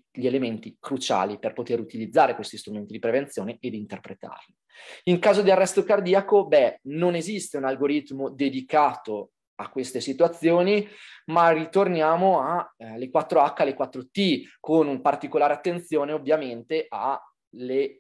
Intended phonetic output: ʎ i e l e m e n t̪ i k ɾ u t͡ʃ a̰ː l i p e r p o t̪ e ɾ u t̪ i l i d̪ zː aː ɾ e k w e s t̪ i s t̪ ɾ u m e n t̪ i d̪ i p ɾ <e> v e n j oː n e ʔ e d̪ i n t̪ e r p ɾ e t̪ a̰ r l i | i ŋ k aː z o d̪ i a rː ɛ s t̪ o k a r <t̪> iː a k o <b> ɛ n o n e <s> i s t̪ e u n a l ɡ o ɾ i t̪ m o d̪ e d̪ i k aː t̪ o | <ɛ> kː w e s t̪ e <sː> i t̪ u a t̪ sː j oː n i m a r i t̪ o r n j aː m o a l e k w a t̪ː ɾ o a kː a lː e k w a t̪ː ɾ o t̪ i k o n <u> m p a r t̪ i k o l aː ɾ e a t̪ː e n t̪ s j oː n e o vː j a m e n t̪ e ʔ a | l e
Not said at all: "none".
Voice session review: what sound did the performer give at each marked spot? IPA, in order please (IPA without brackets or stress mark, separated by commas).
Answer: e, d̪, b, z, a, s, u